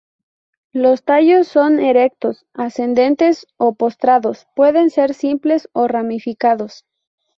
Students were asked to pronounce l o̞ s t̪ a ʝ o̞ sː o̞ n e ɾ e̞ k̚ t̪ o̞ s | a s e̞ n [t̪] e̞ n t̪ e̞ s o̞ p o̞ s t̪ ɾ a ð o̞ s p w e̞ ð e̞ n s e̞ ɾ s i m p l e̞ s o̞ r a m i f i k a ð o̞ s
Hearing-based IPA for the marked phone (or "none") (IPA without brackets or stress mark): d̪